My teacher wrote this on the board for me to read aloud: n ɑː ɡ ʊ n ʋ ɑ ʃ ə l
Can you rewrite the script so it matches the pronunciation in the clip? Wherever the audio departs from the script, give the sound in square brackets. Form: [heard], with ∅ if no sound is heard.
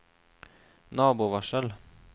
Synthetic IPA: n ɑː [b] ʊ [∅] ʋ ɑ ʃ ə l